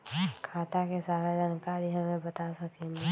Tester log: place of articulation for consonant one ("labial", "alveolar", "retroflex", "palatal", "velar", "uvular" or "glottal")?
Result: velar